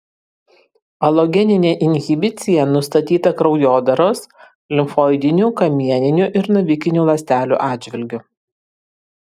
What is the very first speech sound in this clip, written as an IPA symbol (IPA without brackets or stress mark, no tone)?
ɐ